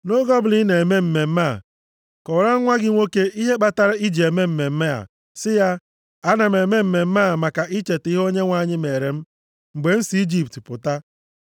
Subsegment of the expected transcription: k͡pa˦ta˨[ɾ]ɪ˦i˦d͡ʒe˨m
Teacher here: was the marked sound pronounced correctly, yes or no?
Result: yes